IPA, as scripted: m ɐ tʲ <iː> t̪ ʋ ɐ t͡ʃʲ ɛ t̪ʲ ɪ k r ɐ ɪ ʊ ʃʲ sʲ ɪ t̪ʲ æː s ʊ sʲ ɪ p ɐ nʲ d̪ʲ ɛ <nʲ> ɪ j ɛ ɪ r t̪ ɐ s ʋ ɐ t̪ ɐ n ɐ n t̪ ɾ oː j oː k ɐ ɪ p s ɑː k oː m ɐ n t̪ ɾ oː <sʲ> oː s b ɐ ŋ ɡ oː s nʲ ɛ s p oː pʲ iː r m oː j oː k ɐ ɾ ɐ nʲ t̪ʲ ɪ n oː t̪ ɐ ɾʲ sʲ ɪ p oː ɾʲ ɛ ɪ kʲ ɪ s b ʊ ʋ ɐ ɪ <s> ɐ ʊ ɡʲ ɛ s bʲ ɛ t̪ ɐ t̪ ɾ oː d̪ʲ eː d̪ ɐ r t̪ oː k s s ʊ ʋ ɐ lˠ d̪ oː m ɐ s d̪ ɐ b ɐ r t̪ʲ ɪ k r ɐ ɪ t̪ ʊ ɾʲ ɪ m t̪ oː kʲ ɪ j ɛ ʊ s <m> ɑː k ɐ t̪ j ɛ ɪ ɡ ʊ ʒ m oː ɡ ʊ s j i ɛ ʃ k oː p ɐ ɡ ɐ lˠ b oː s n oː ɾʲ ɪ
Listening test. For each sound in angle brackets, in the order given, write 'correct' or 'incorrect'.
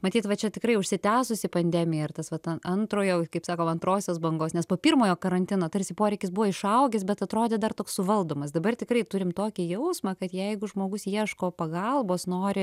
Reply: correct, incorrect: mʲ, correct, incorrect: ʃ, correct

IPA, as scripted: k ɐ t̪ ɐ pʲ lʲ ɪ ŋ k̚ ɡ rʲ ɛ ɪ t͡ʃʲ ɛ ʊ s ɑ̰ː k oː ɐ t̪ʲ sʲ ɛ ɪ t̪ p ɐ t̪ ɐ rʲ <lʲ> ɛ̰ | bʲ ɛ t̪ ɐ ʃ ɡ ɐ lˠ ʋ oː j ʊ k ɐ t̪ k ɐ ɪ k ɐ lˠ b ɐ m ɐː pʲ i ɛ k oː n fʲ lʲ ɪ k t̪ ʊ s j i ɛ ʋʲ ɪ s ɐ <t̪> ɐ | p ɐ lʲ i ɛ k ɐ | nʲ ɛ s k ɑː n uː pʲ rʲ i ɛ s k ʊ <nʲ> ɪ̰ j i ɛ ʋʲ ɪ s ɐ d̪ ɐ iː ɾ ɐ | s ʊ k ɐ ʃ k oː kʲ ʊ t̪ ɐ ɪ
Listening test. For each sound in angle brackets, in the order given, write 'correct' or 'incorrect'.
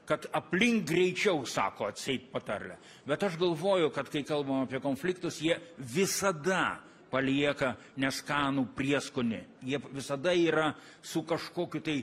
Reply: correct, incorrect: d̪, correct

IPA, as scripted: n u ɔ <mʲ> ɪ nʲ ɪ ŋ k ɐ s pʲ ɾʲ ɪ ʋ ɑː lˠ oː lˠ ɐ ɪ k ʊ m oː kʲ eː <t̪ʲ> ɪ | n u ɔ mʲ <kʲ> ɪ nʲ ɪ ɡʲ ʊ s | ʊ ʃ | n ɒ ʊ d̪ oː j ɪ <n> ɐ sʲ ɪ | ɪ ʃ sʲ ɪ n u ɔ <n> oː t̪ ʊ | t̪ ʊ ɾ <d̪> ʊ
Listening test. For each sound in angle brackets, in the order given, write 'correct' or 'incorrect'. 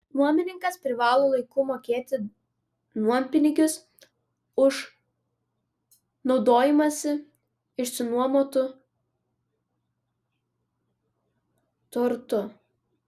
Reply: correct, correct, incorrect: pʲ, incorrect: m, incorrect: m, incorrect: t̪

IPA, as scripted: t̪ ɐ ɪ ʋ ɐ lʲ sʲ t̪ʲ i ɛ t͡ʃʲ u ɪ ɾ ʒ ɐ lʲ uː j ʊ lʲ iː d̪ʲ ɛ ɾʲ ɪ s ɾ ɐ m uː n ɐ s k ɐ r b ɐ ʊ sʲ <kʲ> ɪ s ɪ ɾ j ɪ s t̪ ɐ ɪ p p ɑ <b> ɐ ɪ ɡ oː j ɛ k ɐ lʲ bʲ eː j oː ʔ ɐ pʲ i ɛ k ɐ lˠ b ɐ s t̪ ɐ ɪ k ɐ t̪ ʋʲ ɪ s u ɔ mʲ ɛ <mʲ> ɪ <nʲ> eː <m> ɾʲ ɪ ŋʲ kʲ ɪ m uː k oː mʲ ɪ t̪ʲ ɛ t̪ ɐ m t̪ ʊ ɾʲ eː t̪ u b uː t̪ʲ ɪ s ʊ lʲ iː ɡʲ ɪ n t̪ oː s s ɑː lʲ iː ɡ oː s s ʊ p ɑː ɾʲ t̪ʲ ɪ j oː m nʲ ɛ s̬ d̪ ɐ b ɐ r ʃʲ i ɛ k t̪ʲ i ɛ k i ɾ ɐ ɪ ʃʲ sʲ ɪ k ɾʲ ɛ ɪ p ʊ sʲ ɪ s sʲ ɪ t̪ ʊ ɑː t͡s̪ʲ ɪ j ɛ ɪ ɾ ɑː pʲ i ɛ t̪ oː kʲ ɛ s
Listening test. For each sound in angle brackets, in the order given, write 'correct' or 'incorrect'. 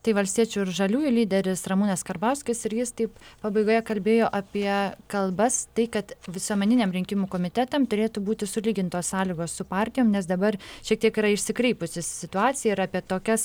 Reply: correct, correct, incorrect: nʲ, correct, correct

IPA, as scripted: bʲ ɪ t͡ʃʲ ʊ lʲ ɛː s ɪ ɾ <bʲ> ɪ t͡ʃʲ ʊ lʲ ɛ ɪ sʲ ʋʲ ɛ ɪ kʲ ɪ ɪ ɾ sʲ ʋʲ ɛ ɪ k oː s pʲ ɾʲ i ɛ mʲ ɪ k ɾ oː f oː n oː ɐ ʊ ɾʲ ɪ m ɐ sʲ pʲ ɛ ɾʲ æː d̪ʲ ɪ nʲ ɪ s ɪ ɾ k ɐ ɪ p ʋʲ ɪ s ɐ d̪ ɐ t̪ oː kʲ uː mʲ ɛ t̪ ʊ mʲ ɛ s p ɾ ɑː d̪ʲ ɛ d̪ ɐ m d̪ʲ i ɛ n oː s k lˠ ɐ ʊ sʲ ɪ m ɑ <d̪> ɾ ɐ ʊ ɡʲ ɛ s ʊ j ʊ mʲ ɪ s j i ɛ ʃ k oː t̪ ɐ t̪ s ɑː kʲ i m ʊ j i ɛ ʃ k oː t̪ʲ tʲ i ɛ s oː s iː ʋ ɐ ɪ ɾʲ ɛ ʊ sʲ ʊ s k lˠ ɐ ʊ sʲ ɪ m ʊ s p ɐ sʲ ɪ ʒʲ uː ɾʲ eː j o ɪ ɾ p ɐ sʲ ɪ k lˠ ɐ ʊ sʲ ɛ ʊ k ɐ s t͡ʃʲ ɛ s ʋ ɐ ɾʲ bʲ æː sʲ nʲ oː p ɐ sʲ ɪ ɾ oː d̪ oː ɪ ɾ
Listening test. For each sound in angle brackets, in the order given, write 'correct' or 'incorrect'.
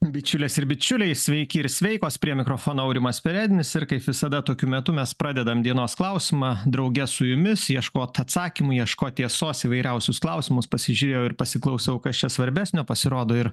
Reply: correct, correct

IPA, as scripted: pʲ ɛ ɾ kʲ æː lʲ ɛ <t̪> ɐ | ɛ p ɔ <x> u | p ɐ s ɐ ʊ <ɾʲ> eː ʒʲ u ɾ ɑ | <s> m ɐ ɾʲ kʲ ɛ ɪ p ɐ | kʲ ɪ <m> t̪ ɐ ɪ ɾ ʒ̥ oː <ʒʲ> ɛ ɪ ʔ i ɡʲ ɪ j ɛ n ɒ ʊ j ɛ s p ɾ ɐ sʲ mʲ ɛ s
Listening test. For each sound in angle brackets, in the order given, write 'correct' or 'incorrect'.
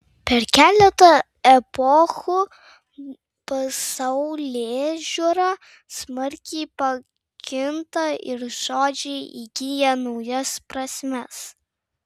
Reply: correct, correct, incorrect: lʲ, correct, incorrect: n, incorrect: d͡ʒʲ

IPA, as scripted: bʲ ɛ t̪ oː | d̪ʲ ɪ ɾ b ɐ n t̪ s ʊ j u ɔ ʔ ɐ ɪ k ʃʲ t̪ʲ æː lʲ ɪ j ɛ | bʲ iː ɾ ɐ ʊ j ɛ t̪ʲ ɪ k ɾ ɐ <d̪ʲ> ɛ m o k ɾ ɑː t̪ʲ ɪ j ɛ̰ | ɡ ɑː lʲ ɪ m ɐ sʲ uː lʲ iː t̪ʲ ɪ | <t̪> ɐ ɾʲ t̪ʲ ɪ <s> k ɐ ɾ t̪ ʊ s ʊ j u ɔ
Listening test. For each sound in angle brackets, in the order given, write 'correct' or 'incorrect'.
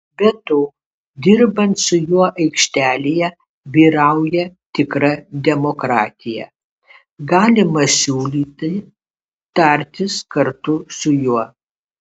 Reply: correct, correct, correct

